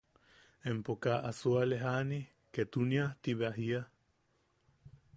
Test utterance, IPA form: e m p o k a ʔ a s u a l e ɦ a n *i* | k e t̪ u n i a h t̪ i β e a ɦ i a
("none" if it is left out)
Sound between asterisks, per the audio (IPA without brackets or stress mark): i